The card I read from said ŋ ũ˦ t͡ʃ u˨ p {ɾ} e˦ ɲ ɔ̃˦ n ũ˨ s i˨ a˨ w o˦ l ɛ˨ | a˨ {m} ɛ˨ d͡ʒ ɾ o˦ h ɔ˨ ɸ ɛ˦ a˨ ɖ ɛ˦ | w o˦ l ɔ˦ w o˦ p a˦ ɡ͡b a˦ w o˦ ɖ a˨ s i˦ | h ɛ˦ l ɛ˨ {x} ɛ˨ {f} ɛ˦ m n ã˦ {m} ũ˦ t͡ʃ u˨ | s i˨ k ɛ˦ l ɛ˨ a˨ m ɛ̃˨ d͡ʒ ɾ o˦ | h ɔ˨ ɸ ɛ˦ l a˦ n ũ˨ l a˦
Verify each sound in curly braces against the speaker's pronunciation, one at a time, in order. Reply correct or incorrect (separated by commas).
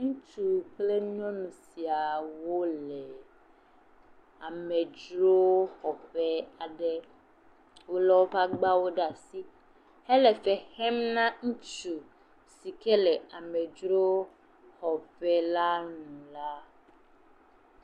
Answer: incorrect, correct, incorrect, incorrect, incorrect